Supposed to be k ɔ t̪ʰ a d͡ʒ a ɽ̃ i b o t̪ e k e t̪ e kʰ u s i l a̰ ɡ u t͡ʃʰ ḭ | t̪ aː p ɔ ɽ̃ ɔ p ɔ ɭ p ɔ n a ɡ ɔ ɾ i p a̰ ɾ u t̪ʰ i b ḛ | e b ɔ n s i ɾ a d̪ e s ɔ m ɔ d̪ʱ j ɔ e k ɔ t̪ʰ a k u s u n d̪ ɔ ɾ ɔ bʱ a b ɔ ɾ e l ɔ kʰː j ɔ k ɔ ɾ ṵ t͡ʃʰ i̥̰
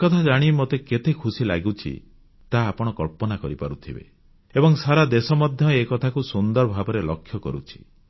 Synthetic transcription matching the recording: k ɔ t̪ʰ a d͡ʒ a ɽ̃ i m o t̪ e k e t̪ e kʰ u s i l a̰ ɡ u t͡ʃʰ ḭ | t̪ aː p ɔ ɽ̃ ɔ k ɔ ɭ p ɔ n a k ɔ ɾ i p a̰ ɾ u t̪ʰ i b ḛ | e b ɔ ŋ s a ɾ a d̪ e s ɔ m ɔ d̪ʱ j ɔ e k ɔ t̪ʰ a k u s u n d̪ ɔ ɾ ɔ bʱ a b ɔ ɾ e l ɔ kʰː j ɔ k ɔ ɾ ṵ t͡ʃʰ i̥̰